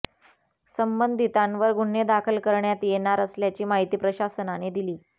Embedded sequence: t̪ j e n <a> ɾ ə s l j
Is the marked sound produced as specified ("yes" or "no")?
yes